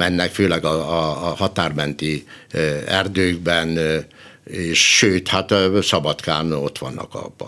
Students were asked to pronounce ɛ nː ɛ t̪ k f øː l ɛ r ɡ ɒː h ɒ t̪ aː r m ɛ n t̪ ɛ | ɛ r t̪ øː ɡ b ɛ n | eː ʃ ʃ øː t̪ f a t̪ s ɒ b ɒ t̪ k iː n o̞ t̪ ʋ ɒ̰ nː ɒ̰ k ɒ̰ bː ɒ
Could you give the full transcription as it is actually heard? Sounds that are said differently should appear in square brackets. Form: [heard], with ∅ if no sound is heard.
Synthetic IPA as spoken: ɛ nː ɛ [∅] k f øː l ɛ [∅] ɡ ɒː h ɒ t̪ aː r m ɛ n t̪ [i] | ɛ r [d̪] øː ɡ b ɛ n | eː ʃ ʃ øː t̪ [h] a t̪ s ɒ b ɒ t̪ k [aː] n o̞ t̪ ʋ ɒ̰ nː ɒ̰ k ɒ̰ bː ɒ